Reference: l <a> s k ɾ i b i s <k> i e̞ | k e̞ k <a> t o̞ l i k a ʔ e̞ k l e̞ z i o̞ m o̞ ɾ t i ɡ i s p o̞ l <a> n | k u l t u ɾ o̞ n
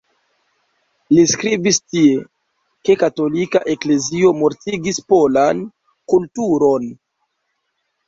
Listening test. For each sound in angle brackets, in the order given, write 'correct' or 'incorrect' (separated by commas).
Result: incorrect, incorrect, correct, correct